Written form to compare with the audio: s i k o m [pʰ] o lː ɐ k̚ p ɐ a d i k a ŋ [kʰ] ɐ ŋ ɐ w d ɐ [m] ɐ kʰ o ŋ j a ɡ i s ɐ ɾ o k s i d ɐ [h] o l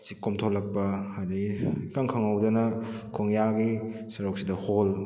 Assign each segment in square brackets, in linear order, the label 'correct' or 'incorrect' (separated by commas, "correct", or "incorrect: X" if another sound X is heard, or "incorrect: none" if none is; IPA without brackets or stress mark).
incorrect: tʰ, correct, incorrect: n, correct